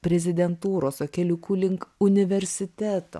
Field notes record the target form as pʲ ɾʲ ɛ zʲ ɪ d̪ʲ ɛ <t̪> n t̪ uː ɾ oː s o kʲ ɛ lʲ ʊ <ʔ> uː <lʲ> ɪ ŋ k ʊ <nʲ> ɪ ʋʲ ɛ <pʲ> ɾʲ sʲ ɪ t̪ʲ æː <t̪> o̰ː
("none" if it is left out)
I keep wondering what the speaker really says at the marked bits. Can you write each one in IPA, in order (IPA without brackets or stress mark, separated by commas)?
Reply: none, k, lʲ, nʲ, none, t̪